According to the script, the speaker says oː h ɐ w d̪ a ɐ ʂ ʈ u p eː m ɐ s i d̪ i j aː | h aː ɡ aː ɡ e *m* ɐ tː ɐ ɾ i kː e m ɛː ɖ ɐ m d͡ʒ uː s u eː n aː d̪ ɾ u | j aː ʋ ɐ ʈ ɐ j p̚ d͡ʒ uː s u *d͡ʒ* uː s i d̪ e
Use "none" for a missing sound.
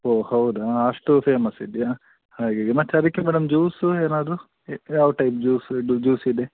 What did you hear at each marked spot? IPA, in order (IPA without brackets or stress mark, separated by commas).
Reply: m, d͡ʒ